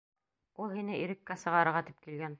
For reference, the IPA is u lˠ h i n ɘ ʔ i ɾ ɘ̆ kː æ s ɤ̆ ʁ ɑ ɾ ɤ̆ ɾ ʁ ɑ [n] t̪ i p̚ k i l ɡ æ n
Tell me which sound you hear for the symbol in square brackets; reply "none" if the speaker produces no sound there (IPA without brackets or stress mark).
none